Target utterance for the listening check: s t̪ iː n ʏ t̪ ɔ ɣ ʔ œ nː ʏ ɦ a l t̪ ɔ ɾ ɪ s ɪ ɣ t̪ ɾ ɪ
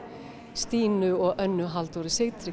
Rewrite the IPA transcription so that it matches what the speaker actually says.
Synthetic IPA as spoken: s t̪ iː n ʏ ɔ ɣ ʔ œ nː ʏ ɦ a l t̪ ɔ ɾ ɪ s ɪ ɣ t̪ ɾ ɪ